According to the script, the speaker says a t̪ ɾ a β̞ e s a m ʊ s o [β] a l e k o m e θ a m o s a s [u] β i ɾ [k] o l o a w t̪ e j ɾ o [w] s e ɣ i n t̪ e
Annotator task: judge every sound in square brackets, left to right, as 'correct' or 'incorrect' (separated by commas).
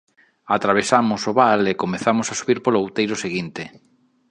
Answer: correct, correct, incorrect, incorrect